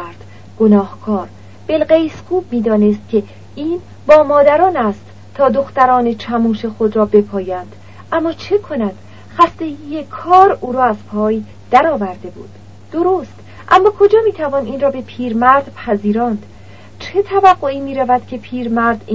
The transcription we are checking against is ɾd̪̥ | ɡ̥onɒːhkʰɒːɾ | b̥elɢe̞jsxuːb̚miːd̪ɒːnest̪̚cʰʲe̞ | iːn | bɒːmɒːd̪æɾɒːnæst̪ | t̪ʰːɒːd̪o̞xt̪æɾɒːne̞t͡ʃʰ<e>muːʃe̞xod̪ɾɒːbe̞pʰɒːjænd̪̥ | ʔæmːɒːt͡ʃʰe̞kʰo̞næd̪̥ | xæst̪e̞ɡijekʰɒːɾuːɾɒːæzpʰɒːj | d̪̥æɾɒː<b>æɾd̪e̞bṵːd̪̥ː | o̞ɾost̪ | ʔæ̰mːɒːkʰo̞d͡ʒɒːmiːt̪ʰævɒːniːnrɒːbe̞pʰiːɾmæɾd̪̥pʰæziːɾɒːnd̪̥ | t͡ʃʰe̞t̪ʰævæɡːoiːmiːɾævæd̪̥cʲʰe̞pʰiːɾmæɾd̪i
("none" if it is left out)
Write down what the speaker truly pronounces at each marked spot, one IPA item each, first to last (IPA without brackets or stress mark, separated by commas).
æ, v